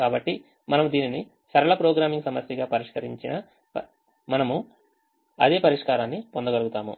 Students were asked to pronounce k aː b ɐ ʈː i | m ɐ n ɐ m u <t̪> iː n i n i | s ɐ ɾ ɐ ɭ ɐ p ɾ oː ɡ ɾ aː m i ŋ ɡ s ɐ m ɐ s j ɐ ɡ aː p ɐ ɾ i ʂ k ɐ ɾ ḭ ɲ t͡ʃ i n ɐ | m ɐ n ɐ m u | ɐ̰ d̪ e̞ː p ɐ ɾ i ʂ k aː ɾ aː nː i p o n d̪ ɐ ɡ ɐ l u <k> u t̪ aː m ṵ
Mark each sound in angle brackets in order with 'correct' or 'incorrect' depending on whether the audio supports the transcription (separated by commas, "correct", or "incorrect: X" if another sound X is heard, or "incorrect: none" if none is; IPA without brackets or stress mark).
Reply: incorrect: d̪, incorrect: ɡ